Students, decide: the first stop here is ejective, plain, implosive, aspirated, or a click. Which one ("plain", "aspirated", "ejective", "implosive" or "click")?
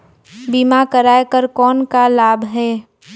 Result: plain